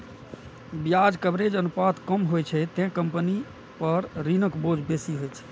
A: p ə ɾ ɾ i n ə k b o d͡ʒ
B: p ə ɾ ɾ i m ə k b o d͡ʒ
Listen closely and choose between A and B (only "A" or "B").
A